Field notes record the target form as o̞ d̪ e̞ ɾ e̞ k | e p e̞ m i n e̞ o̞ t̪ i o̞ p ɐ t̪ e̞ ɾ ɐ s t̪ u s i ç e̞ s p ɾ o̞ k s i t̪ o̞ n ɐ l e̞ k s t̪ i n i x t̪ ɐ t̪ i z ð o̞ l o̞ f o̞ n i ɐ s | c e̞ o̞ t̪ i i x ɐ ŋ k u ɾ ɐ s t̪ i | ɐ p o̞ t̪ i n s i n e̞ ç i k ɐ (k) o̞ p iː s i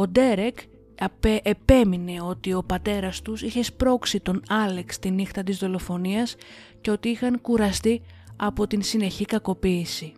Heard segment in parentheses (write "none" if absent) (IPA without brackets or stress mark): k